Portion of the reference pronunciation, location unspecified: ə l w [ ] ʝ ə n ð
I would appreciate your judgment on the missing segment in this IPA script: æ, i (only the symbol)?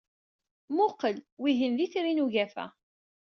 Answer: i